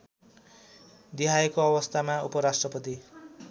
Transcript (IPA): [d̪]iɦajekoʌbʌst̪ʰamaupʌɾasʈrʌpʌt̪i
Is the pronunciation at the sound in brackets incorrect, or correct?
correct